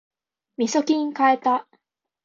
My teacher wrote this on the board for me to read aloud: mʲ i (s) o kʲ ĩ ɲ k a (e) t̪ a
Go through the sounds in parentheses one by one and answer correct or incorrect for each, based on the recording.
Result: correct, correct

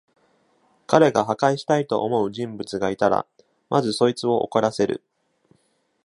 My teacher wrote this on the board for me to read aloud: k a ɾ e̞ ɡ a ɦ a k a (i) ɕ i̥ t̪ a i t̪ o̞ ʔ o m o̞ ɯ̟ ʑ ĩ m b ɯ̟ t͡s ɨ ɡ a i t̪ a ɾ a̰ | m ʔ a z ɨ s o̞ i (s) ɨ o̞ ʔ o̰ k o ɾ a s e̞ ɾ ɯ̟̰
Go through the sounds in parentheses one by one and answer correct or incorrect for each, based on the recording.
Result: correct, incorrect

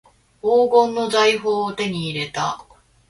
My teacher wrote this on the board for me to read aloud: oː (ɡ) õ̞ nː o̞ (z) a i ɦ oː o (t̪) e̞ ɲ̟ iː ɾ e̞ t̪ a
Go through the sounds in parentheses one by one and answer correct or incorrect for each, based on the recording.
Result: correct, correct, correct

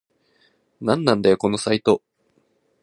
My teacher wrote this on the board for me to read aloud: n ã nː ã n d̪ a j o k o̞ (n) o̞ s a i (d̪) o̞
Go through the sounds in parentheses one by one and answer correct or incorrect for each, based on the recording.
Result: correct, incorrect

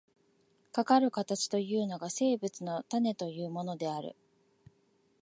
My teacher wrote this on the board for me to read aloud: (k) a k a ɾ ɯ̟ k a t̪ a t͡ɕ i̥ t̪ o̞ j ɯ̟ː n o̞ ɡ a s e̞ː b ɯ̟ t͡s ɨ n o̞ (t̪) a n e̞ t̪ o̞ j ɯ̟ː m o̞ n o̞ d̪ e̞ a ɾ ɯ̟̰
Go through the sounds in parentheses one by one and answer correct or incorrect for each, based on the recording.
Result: correct, correct

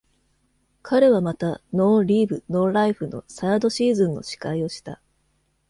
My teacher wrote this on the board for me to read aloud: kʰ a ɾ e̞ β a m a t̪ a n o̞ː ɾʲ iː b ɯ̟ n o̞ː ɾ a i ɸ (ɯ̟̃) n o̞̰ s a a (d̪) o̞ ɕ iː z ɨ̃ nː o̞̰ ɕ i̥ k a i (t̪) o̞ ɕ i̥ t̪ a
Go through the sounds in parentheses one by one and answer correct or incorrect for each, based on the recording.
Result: incorrect, correct, incorrect

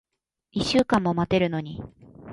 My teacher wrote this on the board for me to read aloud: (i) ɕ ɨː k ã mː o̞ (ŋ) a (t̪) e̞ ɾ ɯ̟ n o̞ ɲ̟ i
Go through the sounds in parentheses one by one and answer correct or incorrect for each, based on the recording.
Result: correct, incorrect, correct

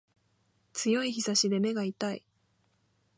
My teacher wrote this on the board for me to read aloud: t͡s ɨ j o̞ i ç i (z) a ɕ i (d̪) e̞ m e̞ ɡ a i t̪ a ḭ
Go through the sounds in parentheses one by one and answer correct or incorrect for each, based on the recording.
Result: incorrect, correct

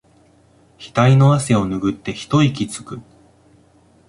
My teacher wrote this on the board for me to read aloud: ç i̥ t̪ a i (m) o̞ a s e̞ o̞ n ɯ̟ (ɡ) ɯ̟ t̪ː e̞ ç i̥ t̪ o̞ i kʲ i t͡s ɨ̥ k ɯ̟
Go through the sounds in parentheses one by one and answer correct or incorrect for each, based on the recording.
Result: incorrect, correct

